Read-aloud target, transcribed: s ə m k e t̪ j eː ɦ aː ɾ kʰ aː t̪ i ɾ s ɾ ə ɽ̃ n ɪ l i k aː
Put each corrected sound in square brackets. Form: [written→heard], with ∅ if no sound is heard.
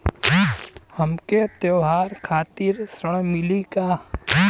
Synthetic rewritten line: [s→h] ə m k e t̪ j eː ɦ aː ɾ kʰ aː t̪ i ɾ s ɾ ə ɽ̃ [n→m] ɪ l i k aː